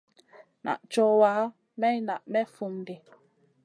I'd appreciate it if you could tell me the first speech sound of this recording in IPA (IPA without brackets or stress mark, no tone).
n